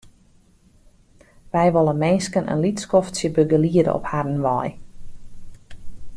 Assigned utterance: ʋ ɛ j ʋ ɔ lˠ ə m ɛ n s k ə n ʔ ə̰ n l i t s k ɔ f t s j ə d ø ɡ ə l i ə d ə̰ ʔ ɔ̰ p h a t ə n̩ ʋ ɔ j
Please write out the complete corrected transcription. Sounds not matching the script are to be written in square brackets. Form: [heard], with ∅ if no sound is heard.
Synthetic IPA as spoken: ʋ ɛ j ʋ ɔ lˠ ə m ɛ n s k ə n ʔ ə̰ n l i t s k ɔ f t s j ə [b] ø ɡ ə l i ə d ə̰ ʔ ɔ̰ p h a [d] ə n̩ ʋ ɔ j

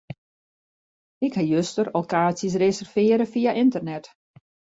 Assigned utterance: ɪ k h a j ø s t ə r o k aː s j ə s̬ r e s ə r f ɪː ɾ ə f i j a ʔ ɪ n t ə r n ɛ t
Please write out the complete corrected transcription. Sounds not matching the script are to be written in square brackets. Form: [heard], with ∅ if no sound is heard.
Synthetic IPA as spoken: ɪ k h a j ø s t ə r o k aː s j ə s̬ r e s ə r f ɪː ɾ ə f i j a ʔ ɪ n t ə r n ɛ t

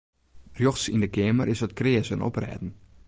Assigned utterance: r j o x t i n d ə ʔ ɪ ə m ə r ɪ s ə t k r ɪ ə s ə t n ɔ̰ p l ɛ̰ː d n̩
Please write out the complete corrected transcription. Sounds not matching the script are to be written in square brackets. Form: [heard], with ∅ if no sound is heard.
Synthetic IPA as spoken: r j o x [s] i n d ə [k] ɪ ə m ə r ɪ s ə t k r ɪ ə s ə [∅] n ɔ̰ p [r] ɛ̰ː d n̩

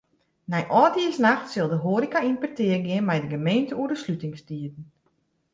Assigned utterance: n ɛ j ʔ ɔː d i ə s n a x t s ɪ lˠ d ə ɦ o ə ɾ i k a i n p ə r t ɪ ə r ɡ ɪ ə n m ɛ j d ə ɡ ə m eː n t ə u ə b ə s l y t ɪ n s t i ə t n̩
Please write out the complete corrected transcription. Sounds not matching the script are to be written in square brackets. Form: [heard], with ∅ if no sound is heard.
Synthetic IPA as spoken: n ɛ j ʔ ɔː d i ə s n a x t s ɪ lˠ d ə ɦ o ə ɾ i k a i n p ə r t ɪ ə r ɡ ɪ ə n m ɛ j d ə ɡ ə m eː n t ə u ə [d] ə s l y t ɪ [ŋ] s t i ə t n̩

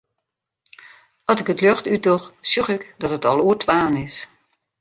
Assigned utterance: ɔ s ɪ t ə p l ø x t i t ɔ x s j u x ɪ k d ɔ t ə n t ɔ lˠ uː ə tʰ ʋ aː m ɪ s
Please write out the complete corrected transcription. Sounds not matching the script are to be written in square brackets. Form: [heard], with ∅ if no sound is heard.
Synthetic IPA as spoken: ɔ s ɪ [k] ə [t] l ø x t [y] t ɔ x s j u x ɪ k d ɔ t ə [∅] t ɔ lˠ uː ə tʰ ʋ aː [n] ɪ s

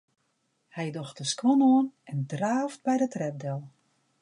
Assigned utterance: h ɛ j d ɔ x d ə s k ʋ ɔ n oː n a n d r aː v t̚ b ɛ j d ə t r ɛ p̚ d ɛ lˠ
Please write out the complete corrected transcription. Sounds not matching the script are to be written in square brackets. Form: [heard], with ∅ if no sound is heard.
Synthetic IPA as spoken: h ɛ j d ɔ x [t] ə s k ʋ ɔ n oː n [ɛ] n d r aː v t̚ b ɛ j d ə t r ɛ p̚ d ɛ lˠ

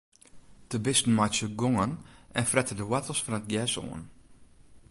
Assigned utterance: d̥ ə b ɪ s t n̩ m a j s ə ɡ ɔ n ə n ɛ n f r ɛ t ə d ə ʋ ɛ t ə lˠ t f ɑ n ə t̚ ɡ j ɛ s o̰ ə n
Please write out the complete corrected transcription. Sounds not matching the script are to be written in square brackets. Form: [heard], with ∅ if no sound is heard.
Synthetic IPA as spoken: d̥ ə b ɪ s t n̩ m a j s ə ɡ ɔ [ŋ] ə n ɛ n f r ɛ t ə d ə [w] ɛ t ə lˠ [s] f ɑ n ə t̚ ɡ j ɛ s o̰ ə n

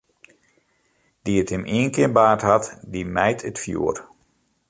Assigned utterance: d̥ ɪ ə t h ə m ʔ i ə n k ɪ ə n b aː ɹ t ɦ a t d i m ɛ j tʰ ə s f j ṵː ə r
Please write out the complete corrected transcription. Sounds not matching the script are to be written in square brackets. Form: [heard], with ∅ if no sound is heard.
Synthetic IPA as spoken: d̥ [i] ə t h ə m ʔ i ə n k ɪ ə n b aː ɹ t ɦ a t d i m ɛ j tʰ ə [t] f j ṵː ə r

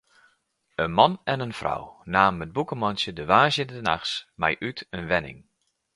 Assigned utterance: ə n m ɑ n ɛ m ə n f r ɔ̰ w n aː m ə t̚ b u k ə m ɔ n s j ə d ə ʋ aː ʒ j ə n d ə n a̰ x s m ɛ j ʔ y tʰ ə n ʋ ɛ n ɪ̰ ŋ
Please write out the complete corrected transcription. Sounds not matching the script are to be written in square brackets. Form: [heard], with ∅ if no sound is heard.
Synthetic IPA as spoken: ə n m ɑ n ɛ [n] ə n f r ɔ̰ w n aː m ə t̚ b u k ə m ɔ n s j ə d ə ʋ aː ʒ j ə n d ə n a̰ x s m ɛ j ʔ y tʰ ə n ʋ ɛ n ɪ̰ ŋ

